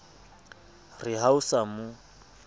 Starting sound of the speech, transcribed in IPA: r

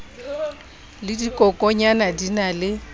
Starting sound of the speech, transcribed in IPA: l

